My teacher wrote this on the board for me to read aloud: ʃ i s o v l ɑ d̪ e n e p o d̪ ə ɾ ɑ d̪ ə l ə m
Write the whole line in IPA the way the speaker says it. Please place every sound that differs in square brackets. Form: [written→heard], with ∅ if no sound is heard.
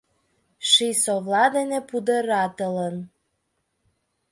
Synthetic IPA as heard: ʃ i s o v l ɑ d̪ e n e p [o→u] d̪ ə ɾ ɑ [d̪→t̪] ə l ə [m→n]